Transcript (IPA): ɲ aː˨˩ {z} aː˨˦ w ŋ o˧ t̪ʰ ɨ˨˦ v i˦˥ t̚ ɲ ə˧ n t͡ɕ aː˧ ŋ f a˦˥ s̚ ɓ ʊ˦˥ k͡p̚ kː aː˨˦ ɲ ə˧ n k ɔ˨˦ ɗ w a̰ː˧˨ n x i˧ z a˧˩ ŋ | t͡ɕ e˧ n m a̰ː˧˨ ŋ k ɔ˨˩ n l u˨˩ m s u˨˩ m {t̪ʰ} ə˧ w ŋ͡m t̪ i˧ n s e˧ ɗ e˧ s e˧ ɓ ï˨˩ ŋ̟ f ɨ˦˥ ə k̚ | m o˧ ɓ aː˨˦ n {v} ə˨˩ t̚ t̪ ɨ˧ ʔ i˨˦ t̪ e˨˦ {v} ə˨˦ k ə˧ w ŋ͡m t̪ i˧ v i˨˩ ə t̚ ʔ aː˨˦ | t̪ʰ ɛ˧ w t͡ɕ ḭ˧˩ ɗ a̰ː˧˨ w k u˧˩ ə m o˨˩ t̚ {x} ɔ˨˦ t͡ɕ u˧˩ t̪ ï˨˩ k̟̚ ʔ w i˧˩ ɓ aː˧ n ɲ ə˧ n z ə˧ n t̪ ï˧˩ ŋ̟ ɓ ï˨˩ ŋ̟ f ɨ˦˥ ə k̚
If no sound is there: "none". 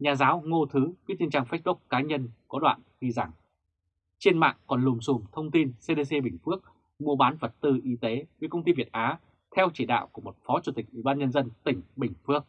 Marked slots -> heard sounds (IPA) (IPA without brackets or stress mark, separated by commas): z, t̪ʰ, v, v, f